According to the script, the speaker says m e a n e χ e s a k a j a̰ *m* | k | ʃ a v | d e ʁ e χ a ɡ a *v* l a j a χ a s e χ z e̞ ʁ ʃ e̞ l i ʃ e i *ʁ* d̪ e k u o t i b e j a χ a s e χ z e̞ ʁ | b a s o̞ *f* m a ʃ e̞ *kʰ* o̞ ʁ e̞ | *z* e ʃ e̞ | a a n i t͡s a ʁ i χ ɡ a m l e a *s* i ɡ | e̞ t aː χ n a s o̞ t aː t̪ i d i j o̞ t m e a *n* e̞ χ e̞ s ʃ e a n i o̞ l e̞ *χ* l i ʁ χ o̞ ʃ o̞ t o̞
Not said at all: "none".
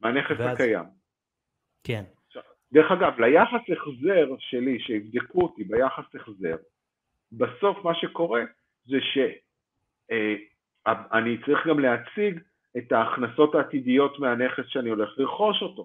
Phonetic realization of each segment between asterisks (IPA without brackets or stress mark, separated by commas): m, v, v, f, k, z, t͡s, n, χ